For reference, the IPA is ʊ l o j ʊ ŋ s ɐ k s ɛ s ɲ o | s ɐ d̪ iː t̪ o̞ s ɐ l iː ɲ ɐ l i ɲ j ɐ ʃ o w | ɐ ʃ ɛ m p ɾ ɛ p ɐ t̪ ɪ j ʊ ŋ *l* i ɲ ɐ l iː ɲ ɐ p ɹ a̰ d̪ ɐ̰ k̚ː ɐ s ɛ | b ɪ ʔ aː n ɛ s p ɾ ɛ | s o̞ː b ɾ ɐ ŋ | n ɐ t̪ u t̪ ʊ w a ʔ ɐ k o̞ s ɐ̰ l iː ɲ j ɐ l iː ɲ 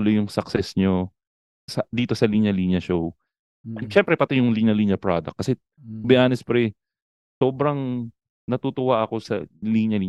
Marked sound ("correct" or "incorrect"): correct